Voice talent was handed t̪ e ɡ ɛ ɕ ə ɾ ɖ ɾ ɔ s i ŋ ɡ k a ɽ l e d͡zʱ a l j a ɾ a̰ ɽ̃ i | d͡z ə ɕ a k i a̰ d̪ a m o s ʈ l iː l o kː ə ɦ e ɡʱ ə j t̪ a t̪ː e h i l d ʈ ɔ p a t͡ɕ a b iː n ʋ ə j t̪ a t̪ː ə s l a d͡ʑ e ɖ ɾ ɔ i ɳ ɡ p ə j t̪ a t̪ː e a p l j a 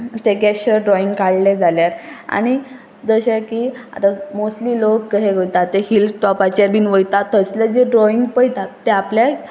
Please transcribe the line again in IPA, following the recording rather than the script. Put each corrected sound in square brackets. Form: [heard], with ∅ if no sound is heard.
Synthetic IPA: t̪ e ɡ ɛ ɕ ə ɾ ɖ ɾ ɔ [∅] i ŋ ɡ k a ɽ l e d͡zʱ a l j a ɾ a̰ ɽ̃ i | d͡z ə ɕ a k i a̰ [t̪] a m o s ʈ l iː l o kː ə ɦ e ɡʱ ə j t̪ a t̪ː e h i l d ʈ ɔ p a t͡ɕ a b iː n ʋ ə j t̪ a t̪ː ə s l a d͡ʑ e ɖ ɾ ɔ i [ŋ] ɡ p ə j t̪ a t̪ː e a p l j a